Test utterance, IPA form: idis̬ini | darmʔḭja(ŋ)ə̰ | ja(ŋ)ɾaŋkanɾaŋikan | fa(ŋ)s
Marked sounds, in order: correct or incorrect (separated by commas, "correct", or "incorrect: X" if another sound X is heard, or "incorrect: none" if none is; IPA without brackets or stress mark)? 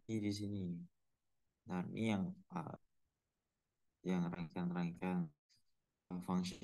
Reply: correct, correct, correct